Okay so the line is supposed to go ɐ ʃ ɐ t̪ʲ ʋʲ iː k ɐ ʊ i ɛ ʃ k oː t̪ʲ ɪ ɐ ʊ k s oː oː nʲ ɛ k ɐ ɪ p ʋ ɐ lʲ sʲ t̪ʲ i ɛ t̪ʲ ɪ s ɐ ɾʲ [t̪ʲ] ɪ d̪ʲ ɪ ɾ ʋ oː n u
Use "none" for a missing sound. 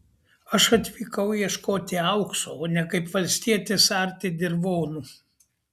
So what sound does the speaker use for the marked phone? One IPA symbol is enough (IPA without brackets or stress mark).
t̪ʲ